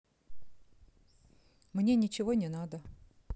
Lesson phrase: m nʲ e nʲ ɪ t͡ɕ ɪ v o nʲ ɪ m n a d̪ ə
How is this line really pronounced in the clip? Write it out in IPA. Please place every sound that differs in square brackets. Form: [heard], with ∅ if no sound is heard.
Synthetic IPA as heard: m nʲ e nʲ ɪ t͡ɕ ɪ v o nʲ ɪ [∅] n a d̪ ə